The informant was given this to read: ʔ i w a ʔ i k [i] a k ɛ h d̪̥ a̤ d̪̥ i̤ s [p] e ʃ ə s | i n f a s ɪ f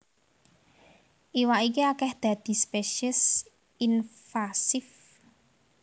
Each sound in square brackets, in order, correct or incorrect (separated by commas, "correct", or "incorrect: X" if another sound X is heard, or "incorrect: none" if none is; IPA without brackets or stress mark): correct, correct